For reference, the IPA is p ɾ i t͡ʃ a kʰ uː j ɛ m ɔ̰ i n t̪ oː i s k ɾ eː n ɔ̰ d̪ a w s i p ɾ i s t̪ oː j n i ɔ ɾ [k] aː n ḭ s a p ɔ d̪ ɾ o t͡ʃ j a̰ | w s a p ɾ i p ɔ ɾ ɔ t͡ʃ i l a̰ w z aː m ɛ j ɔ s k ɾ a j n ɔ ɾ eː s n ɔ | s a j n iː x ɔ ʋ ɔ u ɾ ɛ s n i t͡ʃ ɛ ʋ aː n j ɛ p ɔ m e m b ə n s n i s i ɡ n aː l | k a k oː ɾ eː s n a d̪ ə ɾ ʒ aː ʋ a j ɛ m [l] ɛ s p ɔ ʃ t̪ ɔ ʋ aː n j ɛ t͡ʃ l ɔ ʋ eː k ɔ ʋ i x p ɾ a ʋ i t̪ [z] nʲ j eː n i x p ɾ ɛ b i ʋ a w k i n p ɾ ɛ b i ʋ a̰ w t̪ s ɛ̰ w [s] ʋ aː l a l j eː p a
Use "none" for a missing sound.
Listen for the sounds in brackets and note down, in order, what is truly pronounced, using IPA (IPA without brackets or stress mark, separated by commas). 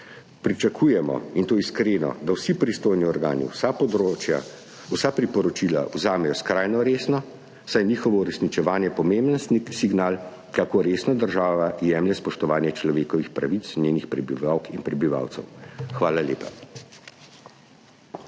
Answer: ɡ, l, s, x